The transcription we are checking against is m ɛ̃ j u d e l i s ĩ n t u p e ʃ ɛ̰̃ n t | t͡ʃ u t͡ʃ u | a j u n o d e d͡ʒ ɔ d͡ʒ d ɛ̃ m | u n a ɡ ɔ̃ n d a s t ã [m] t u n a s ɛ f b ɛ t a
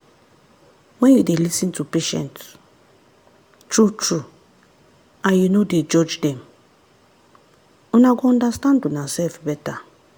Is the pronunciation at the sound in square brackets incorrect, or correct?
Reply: incorrect